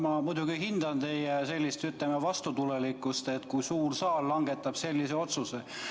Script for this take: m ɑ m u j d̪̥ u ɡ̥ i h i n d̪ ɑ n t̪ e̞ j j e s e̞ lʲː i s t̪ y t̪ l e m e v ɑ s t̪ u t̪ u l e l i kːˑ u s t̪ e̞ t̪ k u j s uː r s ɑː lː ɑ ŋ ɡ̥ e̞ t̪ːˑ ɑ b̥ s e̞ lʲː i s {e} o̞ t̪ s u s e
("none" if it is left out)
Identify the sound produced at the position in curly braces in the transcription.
e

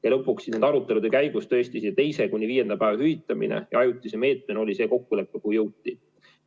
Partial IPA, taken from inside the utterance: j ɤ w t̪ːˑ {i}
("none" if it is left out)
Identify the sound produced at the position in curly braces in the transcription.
i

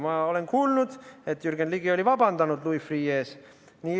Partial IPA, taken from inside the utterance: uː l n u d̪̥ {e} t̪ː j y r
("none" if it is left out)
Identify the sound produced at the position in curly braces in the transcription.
e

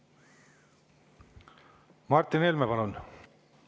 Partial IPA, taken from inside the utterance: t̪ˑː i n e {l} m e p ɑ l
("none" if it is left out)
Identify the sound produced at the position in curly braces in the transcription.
l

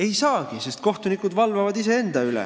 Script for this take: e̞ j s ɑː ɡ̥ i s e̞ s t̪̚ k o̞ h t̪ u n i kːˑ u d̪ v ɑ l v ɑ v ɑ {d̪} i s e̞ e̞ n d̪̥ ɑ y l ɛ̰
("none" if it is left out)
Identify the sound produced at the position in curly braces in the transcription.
d̪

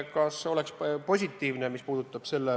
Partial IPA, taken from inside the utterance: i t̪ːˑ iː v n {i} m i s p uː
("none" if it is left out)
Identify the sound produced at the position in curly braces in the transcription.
e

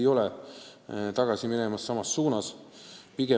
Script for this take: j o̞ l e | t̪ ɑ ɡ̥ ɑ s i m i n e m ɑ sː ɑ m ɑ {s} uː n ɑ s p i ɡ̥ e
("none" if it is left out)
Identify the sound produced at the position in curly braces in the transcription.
sː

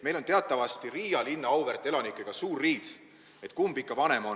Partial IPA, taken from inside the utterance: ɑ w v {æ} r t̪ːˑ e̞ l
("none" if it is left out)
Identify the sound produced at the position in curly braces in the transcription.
e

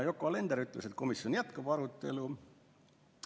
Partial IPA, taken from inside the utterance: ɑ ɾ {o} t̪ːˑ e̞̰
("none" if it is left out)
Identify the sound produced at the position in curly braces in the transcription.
u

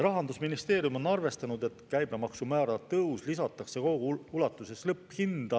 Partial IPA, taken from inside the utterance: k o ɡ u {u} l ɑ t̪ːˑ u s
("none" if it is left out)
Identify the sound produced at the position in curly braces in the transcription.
u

